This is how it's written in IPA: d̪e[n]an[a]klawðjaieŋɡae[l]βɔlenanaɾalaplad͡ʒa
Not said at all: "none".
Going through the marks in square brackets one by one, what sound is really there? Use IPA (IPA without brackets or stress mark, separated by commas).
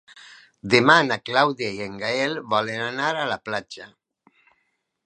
m, a, l